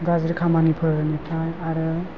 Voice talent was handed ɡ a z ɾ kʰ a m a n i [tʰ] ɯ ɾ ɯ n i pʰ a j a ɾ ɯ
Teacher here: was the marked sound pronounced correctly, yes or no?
no